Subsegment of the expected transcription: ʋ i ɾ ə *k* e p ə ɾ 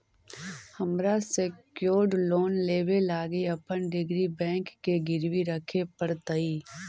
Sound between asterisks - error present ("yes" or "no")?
yes